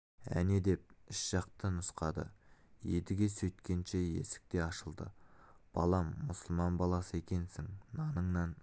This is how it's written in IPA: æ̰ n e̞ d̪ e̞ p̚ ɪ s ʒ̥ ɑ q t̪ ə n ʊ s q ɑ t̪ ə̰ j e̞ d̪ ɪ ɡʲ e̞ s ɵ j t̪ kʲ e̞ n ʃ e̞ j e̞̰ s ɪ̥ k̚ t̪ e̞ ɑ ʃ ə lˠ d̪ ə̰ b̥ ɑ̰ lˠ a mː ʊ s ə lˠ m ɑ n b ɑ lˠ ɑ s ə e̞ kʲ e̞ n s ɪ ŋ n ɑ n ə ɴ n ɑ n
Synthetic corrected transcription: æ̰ n e̞ d̪ e̞ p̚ ɪ ʃ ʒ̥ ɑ q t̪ ə n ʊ s q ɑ d̪ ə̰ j e̞ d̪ ɪ ɡʲ e̞ s ɵ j t̪ kʲ e̞ n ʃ e̞ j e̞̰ s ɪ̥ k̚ t̪ e̞ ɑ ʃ ə lˠ d̪ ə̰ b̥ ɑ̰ lˠ ɑ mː ʊ s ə lˠ m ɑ n b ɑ lˠ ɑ s ə e̞ kʲ e̞ n s ɪ ŋ n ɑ n ə ɴ n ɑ n